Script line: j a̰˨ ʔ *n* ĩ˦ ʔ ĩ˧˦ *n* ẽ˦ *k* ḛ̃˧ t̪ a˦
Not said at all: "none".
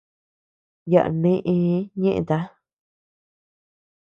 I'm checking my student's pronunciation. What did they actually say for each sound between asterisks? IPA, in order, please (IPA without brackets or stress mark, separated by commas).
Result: n, ɲ, ʔ